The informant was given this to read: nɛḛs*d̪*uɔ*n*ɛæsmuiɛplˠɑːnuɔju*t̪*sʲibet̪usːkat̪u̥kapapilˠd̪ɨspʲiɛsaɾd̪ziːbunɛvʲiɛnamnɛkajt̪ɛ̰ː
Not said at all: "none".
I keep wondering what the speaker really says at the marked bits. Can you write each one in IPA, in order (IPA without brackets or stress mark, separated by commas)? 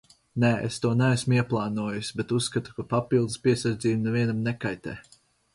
t̪, n, none